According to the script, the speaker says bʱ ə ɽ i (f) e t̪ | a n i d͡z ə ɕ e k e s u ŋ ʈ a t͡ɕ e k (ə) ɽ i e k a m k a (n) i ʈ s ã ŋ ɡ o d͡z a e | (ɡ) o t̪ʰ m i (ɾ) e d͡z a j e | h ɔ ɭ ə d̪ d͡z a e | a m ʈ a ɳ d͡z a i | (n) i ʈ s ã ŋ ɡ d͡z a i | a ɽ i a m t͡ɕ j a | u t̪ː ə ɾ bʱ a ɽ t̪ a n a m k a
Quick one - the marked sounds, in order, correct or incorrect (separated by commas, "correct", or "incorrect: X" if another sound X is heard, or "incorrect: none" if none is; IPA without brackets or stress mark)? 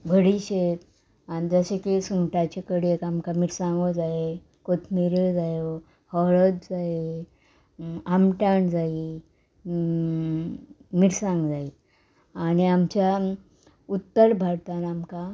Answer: incorrect: ɕ, correct, incorrect: m, incorrect: k, correct, incorrect: m